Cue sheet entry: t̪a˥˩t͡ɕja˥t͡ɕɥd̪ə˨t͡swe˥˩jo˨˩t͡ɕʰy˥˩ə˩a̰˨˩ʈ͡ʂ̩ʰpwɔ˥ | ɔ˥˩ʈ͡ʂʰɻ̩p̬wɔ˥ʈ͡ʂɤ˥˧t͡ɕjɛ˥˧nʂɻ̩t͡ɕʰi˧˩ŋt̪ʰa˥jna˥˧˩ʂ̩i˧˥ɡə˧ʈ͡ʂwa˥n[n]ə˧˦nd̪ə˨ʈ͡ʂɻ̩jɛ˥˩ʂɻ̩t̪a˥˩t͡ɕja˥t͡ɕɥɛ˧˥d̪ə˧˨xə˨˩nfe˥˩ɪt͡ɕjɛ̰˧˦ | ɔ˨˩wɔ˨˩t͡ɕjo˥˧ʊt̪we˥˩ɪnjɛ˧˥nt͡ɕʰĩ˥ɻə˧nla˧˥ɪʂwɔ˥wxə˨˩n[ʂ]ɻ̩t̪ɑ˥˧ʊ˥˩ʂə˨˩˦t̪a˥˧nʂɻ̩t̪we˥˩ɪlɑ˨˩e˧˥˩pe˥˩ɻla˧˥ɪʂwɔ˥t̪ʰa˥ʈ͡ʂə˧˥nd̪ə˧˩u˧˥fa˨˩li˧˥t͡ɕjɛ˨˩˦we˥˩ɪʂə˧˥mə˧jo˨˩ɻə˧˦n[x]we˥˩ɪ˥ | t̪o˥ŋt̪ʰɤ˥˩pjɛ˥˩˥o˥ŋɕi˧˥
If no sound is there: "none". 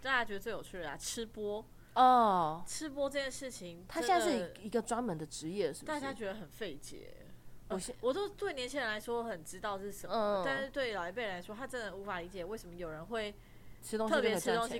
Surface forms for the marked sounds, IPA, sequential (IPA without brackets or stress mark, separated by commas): m, ʈ͡ʂ, x